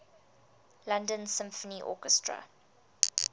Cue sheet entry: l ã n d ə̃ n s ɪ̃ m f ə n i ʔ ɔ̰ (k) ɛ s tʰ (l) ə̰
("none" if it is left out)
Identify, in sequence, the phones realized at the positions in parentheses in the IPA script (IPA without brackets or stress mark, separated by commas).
k, ɹ